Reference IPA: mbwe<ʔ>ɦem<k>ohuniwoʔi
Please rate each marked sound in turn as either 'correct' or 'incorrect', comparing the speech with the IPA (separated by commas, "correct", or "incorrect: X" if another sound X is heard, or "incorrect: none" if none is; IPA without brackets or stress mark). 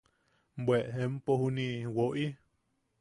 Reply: correct, incorrect: p